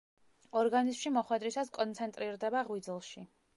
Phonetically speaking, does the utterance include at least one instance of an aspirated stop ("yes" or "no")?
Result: no